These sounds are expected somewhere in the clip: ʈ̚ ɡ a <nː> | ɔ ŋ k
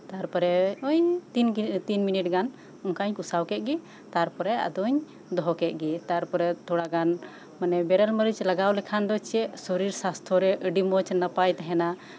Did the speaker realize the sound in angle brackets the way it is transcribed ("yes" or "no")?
no